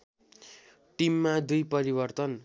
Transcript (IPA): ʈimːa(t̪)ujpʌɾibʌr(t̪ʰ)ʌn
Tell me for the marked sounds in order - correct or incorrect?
incorrect: d̪, incorrect: t̪

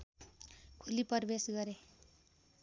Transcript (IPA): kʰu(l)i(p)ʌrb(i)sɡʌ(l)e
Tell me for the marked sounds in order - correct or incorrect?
correct, correct, incorrect: e, incorrect: ɾ

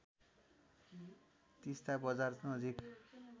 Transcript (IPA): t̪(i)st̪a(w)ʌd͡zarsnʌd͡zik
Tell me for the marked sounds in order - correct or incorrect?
correct, incorrect: b

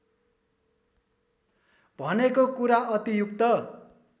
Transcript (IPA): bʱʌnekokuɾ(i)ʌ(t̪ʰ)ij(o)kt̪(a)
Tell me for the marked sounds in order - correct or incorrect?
incorrect: a, incorrect: t̪, incorrect: u, incorrect: ʌ

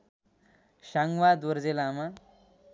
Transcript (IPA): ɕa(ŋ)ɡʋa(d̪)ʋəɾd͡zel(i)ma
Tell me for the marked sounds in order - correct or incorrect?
correct, correct, incorrect: a

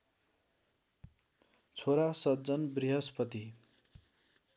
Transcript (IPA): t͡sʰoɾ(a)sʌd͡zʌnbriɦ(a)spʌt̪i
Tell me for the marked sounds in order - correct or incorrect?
correct, incorrect: ʌ

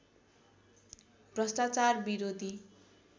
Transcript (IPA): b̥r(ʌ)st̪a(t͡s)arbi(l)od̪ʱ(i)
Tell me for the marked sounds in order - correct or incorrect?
correct, correct, incorrect: ɾ, correct

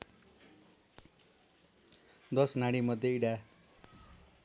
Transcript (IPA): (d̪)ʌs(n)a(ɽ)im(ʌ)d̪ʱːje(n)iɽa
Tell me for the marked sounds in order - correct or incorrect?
correct, correct, correct, correct, incorrect: none

